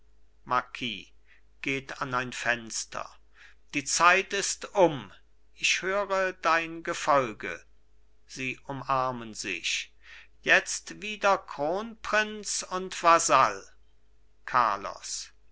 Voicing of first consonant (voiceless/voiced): voiced